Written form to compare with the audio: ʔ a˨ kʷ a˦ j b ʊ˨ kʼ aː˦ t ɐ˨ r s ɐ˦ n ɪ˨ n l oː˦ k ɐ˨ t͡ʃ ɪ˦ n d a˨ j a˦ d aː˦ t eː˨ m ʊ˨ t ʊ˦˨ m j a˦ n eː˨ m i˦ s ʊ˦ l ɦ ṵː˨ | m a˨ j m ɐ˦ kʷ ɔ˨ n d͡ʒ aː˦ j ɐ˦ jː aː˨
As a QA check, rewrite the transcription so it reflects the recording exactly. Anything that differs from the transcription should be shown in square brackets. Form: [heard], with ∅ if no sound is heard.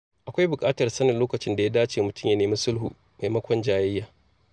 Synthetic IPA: ʔ a˨ kʷ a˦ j b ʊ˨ kʼ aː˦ t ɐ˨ r s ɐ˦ n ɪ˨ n l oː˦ k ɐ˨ t͡ʃ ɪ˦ n d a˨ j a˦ d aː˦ [t͡ʃ] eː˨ m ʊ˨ t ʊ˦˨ m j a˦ n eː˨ m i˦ s ʊ˦ l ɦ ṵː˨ | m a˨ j m ɐ˦ kʷ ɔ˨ n d͡ʒ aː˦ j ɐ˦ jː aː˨